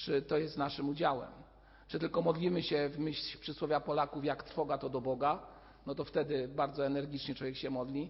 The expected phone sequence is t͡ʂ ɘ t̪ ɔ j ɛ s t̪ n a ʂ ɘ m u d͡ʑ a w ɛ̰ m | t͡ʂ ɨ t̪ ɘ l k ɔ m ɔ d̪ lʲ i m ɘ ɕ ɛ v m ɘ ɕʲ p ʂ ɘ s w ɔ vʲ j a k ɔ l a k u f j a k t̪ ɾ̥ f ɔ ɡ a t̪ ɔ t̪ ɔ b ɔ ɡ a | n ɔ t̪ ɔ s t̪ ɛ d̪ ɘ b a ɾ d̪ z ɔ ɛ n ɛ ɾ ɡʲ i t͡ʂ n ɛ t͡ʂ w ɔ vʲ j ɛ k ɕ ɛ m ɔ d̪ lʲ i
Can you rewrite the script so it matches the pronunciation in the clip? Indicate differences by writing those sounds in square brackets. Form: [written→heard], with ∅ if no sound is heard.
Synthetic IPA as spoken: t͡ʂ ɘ t̪ ɔ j ɛ s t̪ n a ʂ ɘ m u d͡ʑ a w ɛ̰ m | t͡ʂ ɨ t̪ ɘ l k ɔ m ɔ d̪ lʲ i m ɘ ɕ ɛ v m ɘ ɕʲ p ʂ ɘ s w ɔ vʲ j a [k→p] ɔ l a k u f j a k t̪ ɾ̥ f ɔ ɡ a t̪ ɔ [t̪→d̪] ɔ b ɔ ɡ a | n ɔ t̪ ɔ [s→f] t̪ ɛ d̪ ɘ b a ɾ d̪ z ɔ ɛ n ɛ ɾ ɡʲ i t͡ʂ [n→ɲ] ɛ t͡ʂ w ɔ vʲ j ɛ k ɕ ɛ m ɔ d̪ lʲ i